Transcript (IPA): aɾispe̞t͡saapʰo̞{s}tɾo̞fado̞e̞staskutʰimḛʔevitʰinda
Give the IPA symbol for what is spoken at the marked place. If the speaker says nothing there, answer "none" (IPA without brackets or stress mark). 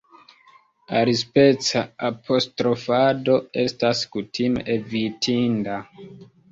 s